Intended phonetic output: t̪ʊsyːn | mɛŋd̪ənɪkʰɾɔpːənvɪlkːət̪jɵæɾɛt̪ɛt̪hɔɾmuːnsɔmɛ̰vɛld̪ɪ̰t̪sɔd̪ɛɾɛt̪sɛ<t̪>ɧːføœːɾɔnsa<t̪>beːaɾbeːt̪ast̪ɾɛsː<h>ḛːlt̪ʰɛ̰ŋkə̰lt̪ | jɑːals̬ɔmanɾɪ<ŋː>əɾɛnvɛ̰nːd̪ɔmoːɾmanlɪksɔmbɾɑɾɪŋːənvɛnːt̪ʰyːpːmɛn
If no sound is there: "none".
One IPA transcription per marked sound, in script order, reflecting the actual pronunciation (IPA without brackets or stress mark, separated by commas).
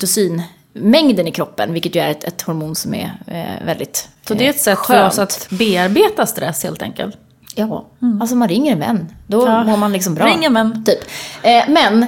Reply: t̪, t̪, h, ŋː